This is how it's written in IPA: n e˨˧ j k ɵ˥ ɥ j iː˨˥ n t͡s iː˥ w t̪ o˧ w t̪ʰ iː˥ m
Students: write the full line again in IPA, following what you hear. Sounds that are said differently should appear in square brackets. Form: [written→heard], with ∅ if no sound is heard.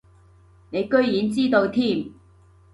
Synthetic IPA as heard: n e˨˧ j k ɵ˥ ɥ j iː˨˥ n t͡s iː˥ [w→∅] t̪ o˧ w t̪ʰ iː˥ m